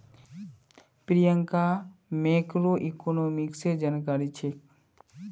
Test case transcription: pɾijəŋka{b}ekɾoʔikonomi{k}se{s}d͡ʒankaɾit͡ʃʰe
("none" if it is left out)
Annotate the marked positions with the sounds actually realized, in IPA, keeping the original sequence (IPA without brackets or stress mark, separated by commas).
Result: m, k, none